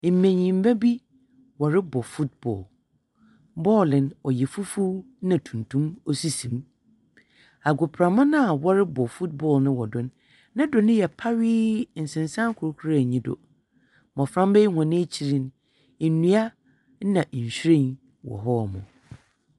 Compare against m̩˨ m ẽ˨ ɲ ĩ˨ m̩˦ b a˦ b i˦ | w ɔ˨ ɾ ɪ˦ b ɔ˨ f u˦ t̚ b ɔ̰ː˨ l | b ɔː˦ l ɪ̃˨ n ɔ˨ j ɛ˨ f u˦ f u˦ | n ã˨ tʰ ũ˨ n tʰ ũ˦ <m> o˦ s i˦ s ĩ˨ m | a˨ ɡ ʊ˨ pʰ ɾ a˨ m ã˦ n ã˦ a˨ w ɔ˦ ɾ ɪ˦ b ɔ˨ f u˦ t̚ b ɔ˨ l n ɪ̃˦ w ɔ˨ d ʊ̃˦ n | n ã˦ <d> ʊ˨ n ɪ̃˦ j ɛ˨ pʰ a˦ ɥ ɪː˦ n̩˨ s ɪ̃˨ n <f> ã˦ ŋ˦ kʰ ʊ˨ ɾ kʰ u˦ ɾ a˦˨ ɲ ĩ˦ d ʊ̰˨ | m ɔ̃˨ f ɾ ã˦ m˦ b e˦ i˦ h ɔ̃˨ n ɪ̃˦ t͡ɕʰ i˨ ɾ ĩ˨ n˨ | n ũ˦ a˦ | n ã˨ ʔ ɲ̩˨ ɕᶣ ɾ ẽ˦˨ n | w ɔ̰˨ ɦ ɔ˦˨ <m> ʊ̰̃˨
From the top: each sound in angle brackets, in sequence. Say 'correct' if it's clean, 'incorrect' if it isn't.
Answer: correct, correct, incorrect: s, correct

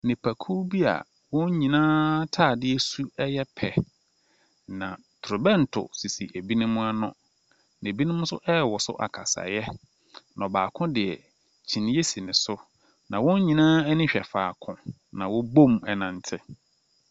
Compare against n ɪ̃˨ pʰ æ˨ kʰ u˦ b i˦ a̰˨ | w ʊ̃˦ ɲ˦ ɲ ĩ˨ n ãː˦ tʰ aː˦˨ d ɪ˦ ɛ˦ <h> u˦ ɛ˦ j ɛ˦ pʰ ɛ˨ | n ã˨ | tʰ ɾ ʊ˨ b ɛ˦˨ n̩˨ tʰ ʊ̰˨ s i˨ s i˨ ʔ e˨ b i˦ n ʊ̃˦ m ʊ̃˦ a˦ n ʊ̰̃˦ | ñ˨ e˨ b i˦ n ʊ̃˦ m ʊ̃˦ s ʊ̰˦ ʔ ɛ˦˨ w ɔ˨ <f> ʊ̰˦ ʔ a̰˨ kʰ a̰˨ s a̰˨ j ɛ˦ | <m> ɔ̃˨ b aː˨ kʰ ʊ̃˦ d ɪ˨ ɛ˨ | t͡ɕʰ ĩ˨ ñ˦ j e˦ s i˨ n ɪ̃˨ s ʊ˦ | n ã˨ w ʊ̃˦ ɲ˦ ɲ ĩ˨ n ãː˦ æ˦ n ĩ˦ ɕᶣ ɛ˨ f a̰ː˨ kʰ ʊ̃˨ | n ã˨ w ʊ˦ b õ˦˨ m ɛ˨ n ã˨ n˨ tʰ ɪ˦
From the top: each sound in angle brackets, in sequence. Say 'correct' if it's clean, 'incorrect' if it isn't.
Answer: incorrect: s, incorrect: s, incorrect: n

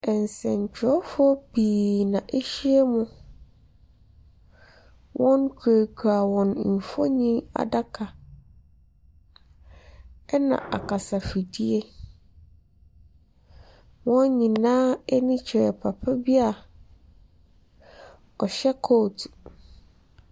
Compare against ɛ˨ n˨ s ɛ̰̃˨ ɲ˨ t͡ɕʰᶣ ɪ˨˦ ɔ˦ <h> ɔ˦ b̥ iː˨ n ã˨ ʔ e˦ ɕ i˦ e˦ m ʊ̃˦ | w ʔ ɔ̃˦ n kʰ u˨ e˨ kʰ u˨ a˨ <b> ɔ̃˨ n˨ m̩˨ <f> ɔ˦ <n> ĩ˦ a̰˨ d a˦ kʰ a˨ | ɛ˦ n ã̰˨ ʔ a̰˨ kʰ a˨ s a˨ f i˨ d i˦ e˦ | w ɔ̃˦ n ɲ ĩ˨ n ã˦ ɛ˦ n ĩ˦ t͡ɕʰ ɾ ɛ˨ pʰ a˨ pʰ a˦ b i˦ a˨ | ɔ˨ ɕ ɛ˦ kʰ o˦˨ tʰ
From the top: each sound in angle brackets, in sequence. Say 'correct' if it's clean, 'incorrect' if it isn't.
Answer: incorrect: f, incorrect: w, correct, incorrect: ɲ

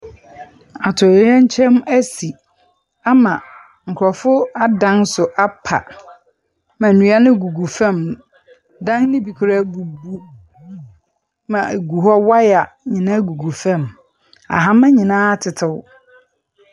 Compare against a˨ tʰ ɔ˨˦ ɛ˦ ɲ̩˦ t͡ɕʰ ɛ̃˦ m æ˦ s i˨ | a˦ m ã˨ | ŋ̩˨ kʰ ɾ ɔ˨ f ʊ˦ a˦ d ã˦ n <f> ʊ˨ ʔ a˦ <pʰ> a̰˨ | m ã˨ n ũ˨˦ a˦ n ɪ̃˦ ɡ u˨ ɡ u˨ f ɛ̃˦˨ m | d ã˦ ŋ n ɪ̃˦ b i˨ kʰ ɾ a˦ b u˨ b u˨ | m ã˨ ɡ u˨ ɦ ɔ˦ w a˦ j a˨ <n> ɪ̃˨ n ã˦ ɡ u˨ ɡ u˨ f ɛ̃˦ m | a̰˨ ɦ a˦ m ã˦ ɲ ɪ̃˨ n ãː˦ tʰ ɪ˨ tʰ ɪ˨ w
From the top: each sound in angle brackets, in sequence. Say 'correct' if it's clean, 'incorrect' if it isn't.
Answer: incorrect: s, correct, incorrect: ɲ

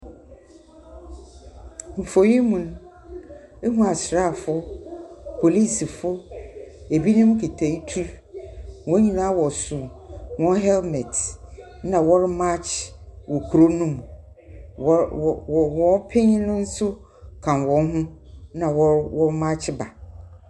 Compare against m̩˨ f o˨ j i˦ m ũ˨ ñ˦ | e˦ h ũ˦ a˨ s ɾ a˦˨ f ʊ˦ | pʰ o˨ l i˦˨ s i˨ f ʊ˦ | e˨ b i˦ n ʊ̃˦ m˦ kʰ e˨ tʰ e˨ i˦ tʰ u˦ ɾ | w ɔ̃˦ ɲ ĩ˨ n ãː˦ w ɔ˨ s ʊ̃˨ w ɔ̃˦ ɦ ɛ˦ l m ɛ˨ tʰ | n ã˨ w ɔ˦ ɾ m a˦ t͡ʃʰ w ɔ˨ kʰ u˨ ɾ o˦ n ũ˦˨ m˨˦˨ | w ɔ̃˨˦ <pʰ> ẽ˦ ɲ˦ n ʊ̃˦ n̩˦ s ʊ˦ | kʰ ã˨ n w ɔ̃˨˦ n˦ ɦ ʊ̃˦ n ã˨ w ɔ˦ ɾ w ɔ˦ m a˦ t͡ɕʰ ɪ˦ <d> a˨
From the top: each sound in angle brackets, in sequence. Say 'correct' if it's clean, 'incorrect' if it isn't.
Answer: correct, incorrect: b

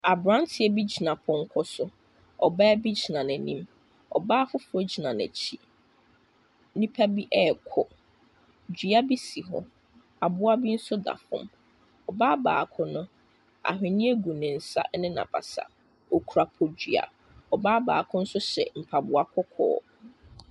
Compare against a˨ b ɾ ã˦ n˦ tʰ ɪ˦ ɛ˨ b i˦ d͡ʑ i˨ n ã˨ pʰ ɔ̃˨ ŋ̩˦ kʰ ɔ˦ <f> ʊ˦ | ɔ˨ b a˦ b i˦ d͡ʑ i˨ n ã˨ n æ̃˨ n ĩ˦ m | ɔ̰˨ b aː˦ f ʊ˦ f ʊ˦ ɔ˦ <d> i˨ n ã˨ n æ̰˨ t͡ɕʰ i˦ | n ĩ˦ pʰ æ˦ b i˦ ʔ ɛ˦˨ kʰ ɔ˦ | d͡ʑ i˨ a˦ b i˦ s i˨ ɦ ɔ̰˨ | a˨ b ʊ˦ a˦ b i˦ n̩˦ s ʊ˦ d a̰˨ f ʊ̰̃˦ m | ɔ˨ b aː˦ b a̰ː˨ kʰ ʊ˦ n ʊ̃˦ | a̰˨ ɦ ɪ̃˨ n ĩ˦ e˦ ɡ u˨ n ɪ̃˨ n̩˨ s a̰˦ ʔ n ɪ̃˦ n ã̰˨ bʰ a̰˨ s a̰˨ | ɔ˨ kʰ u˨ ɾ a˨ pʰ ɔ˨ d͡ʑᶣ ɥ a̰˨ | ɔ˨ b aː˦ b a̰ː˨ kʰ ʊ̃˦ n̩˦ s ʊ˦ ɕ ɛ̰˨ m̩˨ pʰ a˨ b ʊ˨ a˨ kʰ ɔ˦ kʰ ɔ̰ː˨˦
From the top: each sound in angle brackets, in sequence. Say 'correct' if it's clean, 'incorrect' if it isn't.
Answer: incorrect: s, incorrect: d͡ʑ

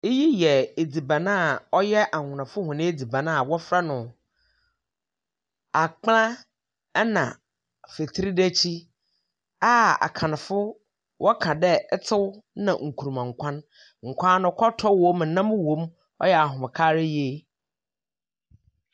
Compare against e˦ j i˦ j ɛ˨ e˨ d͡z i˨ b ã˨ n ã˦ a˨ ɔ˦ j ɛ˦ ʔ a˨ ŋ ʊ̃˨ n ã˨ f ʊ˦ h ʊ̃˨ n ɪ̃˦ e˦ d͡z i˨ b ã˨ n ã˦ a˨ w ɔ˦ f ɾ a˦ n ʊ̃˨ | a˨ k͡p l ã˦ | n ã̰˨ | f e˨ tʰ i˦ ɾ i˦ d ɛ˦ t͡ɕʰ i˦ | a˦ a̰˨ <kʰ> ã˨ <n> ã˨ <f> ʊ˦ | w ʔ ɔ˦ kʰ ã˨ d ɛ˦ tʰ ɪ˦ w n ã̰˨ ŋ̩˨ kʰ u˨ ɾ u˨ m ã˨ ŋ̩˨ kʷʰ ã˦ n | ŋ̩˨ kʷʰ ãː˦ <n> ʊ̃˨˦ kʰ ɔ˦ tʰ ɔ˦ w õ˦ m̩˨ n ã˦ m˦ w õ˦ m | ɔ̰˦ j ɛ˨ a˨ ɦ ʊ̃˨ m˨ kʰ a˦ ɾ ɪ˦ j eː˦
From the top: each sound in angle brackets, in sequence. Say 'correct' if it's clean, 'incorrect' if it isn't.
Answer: correct, correct, correct, correct

